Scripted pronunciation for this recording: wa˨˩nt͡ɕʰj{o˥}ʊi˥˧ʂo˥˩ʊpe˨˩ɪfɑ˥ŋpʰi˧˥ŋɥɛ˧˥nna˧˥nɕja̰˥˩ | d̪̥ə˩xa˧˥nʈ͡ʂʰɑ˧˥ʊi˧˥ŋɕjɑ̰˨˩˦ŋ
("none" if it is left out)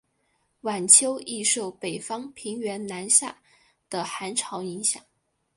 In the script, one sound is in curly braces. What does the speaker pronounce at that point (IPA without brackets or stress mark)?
o˥